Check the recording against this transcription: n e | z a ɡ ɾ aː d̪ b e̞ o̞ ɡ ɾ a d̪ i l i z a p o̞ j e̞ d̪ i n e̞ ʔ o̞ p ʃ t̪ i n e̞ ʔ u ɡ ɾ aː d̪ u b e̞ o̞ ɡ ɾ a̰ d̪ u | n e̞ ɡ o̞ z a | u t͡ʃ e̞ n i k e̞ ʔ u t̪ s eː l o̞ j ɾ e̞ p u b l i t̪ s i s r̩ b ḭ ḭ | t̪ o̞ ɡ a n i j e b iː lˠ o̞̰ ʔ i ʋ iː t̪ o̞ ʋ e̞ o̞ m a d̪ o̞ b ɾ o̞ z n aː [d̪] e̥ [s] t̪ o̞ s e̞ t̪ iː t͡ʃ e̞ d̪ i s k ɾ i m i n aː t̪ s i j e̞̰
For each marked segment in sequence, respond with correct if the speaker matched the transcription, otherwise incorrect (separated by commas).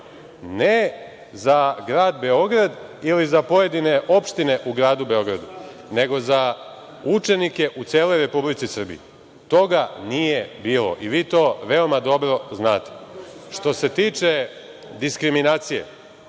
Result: incorrect, incorrect